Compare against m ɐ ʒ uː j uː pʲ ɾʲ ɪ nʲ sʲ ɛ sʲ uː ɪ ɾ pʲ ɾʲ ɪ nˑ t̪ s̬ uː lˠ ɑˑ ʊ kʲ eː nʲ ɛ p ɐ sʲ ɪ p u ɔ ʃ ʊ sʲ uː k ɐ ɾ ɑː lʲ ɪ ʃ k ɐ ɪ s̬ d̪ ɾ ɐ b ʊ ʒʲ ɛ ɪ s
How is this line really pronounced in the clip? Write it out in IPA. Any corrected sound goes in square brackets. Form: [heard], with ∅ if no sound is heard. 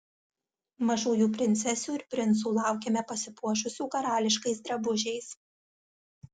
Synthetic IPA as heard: m ɐ ʒ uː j uː pʲ ɾʲ ɪ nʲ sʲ ɛ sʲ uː ɪ ɾ pʲ ɾʲ ɪ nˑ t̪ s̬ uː lˠ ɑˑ ʊ kʲ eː [mʲ] ɛ p ɐ sʲ ɪ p u ɔ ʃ ʊ sʲ uː k ɐ ɾ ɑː lʲ ɪ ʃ k ɐ ɪ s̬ d̪ ɾ ɐ b ʊ ʒʲ ɛ ɪ s